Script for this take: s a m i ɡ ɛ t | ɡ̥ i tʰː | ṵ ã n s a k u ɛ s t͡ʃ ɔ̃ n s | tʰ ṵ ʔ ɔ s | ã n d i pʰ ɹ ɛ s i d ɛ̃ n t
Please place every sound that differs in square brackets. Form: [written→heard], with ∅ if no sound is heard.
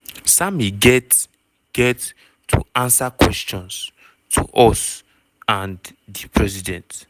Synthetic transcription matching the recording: s a m i ɡ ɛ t | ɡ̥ [i→ɛ] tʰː | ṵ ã n s a k [u→w] ɛ s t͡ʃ ɔ̃ n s | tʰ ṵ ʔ ɔ s | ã n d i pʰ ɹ ɛ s i d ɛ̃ n t